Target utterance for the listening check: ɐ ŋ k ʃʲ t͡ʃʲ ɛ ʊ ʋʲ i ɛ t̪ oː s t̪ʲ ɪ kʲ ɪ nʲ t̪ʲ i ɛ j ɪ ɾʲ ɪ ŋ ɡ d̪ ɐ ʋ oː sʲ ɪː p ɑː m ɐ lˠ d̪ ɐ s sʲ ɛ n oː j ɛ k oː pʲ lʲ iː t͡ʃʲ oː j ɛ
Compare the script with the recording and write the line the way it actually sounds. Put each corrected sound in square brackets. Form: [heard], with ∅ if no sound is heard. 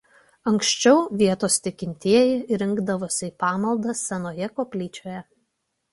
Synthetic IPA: ɐ ŋ k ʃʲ t͡ʃʲ ɛ ʊ ʋʲ i ɛ t̪ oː s t̪ʲ ɪ kʲ ɪ nʲ t̪ʲ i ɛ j ɪ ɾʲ ɪ ŋ ɡ d̪ ɐ ʋ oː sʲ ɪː p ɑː m ɐ lˠ d̪ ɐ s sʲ ɛ n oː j ɛ k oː pʲ lʲ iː t͡ʃʲ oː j ɛ